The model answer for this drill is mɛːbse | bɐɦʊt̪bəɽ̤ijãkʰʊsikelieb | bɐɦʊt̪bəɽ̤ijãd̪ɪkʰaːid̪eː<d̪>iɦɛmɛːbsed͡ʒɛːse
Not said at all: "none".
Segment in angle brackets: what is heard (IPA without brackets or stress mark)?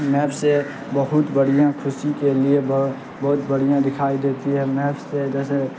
t̪